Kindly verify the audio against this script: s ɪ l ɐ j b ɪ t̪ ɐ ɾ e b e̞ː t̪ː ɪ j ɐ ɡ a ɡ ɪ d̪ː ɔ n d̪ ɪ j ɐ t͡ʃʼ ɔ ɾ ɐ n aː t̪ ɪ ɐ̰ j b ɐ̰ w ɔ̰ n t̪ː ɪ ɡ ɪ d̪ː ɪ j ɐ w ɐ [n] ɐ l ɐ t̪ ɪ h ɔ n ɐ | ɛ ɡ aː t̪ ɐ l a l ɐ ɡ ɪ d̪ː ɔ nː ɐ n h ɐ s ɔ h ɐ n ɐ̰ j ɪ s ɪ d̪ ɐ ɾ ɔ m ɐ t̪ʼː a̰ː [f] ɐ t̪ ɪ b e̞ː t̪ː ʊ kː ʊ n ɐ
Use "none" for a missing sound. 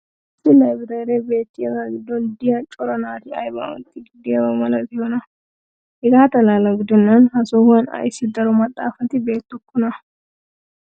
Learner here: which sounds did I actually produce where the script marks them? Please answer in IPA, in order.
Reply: m, f

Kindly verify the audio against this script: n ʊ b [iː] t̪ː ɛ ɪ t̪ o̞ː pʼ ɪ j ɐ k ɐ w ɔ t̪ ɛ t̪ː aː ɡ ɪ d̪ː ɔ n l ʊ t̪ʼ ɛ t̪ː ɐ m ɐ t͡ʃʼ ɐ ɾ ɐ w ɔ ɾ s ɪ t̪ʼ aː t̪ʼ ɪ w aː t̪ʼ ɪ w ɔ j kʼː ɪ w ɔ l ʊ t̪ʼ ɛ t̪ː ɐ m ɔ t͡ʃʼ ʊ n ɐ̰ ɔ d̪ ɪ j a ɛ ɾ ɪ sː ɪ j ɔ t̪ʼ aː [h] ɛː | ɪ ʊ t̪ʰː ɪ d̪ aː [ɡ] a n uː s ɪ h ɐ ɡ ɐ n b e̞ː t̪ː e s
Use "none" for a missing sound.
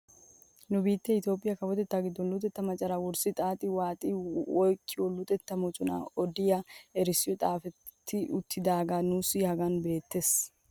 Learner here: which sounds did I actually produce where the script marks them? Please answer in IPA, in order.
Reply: iː, f, ɡ

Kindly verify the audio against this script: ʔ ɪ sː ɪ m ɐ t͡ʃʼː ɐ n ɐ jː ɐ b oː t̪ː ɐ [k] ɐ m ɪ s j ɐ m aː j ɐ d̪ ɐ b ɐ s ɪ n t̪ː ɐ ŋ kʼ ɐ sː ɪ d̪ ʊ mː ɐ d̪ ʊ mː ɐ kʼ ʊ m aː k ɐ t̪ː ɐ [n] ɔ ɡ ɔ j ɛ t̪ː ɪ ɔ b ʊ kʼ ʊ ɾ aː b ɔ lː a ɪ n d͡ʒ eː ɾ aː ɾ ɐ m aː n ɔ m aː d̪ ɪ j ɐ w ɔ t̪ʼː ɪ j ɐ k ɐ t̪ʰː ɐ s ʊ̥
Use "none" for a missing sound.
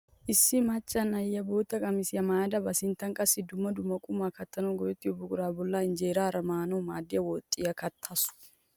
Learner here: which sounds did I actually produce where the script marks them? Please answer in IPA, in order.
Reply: kʼ, n

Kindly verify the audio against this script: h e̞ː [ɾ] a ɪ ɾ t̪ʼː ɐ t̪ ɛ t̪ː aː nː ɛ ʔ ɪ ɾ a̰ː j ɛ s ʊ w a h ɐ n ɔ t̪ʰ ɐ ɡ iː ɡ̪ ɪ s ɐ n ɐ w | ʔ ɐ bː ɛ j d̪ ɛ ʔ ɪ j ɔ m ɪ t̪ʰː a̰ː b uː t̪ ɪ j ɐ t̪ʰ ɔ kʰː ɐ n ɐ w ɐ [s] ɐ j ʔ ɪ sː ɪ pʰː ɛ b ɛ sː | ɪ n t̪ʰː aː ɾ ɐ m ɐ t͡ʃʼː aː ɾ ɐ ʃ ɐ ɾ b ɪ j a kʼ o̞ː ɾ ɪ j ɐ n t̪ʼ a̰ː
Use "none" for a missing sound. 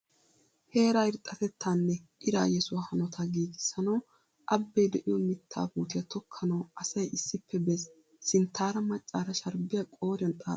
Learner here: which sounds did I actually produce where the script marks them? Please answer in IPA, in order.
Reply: ɾ, s

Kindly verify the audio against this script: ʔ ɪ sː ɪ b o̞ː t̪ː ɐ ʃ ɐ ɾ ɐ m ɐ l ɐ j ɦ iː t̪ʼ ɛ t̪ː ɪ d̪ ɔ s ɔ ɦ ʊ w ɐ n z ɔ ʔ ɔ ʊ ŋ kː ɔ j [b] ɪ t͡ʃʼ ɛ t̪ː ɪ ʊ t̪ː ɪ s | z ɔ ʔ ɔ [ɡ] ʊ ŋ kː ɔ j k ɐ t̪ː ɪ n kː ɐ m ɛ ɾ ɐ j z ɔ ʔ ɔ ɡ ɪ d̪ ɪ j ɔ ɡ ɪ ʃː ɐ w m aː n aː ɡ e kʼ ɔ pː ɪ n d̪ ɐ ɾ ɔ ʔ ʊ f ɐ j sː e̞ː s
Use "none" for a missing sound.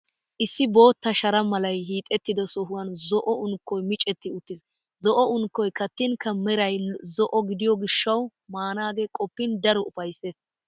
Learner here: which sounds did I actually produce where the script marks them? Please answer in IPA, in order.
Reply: m, none

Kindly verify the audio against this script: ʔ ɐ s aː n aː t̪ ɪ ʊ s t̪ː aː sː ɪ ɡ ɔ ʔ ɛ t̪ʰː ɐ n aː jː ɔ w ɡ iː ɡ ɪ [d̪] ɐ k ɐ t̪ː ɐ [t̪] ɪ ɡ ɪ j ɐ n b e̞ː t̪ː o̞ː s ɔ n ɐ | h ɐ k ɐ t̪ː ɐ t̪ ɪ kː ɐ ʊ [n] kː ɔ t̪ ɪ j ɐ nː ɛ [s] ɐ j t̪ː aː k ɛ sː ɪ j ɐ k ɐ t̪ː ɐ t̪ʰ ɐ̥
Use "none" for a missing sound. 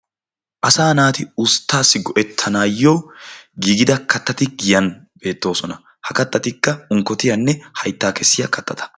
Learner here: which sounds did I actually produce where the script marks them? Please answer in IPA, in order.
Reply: d̪, t̪, ŋ, h

